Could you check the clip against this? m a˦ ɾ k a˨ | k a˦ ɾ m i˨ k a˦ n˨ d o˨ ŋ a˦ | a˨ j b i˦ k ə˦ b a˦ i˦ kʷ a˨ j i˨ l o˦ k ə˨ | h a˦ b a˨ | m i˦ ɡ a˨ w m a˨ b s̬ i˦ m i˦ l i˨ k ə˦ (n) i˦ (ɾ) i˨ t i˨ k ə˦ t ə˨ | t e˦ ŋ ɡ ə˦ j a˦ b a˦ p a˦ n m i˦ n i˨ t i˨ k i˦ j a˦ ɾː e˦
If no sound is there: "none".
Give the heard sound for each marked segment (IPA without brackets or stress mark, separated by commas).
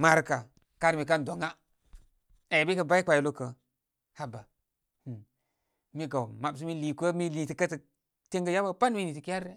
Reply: m, l